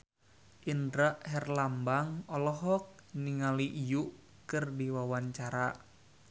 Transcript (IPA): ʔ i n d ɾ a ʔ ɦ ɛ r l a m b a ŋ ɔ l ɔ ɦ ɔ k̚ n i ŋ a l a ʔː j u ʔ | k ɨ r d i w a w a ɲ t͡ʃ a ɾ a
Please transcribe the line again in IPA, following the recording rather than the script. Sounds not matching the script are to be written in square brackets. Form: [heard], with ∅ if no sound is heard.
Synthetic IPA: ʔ i n d ɾ a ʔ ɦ ɛ r l a m b a ŋ ɔ l ɔ ɦ ɔ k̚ n i ŋ a l [i] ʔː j u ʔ | k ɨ r d i w a w a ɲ t͡ʃ a ɾ a